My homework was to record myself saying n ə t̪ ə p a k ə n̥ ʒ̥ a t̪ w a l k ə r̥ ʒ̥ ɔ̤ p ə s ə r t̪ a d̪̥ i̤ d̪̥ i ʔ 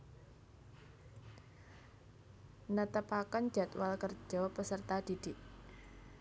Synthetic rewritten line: n ə t̪ ə p a k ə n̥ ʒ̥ a t̪ w a l k ə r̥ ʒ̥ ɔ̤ p ə s ə r t̪ a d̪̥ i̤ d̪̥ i ʔ